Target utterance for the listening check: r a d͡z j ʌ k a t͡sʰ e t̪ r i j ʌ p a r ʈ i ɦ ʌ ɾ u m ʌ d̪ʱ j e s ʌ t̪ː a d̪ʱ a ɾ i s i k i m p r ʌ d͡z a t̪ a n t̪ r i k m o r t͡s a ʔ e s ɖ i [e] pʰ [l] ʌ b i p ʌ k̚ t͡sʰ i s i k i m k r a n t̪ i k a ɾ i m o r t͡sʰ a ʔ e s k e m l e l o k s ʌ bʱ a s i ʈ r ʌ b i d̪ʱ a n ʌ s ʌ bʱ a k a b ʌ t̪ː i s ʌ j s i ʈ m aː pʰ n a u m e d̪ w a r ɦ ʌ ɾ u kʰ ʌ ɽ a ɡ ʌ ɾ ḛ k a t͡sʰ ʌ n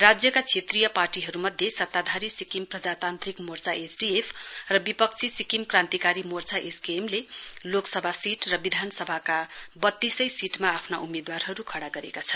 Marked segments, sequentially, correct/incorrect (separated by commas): correct, incorrect